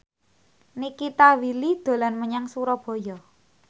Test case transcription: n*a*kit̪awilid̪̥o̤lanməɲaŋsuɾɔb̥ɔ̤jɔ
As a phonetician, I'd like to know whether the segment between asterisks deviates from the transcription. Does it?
yes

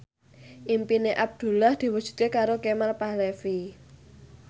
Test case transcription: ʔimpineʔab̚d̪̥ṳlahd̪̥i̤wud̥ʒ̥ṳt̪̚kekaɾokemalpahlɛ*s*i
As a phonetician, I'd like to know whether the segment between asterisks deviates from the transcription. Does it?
yes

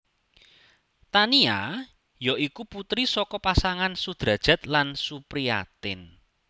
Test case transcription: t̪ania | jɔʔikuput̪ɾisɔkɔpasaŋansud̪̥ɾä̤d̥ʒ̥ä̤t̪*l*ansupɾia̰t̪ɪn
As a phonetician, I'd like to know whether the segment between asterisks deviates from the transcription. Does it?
no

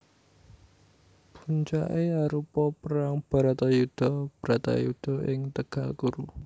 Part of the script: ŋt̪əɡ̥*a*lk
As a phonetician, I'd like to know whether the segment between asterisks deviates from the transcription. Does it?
no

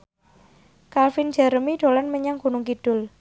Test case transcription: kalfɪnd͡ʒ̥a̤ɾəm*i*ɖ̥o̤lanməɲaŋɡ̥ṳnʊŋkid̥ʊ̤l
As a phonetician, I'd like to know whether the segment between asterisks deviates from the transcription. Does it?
no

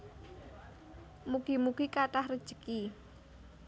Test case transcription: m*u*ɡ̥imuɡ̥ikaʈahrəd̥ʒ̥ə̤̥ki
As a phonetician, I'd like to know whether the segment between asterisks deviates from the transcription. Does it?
no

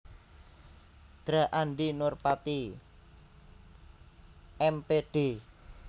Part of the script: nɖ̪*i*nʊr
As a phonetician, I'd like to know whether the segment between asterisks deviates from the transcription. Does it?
no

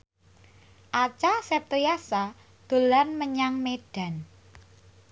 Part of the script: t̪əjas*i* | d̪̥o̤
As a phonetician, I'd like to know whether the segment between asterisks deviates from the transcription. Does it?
yes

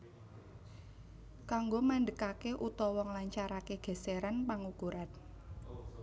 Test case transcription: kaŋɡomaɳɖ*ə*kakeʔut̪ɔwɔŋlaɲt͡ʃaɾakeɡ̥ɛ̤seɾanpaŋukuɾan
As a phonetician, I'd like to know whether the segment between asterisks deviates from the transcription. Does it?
no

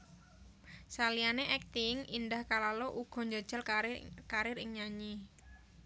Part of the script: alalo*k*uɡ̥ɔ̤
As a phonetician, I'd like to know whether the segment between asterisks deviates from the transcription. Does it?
yes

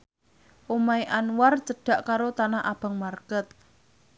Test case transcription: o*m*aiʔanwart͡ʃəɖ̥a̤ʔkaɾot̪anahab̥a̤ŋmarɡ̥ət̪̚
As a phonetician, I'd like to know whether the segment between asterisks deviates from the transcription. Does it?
no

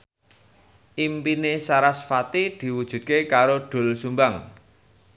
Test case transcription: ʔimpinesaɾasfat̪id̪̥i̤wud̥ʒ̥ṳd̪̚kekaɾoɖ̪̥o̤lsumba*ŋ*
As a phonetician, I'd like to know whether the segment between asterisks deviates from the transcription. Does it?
no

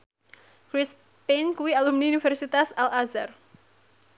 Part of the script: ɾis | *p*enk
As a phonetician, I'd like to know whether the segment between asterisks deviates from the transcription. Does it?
no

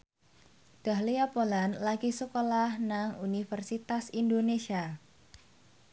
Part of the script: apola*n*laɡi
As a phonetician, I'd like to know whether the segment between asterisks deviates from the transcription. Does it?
no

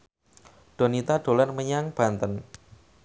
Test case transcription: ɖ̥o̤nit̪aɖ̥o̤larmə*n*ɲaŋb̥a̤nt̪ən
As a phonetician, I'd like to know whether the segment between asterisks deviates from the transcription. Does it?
yes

